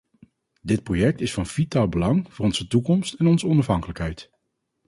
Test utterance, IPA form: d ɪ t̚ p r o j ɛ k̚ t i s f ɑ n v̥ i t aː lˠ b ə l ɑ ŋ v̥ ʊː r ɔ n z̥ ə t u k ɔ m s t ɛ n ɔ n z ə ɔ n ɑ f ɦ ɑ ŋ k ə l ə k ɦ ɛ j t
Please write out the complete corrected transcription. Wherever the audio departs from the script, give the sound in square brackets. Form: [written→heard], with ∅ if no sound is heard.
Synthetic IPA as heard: d ɪ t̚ p r o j ɛ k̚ t [i→ɪ] s f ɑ n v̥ i t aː lˠ b ə l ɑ ŋ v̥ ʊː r ɔ n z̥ ə t u k ɔ m s t ɛ n ɔ n z ə ɔ n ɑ f ɦ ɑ ŋ k ə l ə k ɦ ɛ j t